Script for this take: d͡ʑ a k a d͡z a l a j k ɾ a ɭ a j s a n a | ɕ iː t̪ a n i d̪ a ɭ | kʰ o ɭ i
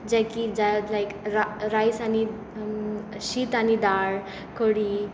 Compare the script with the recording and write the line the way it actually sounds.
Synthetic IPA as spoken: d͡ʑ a k i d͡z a l a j k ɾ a ɾ a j s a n i | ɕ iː t̪ a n i d̪ a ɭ | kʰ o ɽ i